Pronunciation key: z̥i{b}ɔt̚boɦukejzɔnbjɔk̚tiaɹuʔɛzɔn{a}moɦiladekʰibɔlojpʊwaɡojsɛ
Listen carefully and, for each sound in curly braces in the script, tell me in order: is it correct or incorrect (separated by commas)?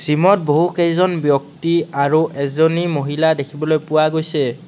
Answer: incorrect, incorrect